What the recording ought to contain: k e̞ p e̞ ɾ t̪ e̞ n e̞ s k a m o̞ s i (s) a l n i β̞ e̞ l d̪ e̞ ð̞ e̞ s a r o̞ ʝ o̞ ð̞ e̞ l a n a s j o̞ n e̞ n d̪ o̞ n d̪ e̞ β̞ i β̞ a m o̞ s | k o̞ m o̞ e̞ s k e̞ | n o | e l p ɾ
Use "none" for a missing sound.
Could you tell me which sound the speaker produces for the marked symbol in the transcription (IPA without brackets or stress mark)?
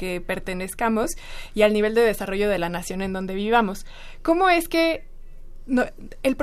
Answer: none